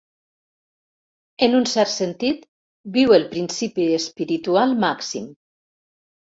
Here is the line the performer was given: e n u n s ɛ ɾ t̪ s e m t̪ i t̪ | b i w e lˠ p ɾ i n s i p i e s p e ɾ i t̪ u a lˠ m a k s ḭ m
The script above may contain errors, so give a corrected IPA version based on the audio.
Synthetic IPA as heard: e n u n s ɛ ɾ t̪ s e n t̪ i t̪ | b i w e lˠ p ɾ i n s i p i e s p i ɾ i t̪ u a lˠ m a k s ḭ m